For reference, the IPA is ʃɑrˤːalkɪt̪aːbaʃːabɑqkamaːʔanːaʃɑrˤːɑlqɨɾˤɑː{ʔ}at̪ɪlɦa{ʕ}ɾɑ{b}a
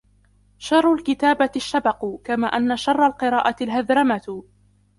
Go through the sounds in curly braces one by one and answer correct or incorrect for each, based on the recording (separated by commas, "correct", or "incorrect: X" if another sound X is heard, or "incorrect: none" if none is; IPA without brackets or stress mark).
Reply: correct, incorrect: ð, incorrect: m